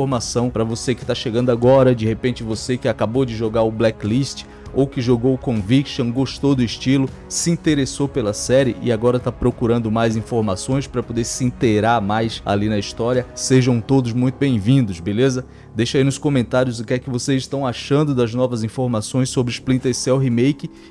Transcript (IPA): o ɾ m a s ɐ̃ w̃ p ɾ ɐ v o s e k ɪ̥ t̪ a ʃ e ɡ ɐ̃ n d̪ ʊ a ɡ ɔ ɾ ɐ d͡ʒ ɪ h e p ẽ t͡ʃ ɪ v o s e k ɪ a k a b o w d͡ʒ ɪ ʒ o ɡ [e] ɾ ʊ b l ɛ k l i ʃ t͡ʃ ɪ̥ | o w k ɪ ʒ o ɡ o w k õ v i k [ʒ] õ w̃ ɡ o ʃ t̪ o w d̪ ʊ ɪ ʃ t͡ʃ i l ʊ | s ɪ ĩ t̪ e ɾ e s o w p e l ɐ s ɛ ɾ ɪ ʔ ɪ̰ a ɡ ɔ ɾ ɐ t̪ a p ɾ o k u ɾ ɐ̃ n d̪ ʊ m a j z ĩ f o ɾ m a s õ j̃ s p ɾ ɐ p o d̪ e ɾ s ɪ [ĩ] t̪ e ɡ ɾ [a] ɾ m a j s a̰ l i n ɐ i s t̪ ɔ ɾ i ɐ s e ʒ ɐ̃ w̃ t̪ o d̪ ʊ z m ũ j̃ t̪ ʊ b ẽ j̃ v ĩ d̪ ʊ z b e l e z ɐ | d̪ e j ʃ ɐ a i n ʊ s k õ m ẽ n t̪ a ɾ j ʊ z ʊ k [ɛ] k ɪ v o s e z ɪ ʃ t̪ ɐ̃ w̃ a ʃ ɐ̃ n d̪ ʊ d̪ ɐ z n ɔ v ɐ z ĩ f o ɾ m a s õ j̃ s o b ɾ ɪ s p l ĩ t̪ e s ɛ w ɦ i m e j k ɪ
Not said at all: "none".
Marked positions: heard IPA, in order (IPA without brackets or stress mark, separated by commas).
a, ʃ, ĩ, a, ɛ